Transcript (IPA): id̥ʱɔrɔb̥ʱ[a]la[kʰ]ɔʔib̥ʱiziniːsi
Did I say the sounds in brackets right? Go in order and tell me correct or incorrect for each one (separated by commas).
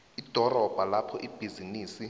correct, incorrect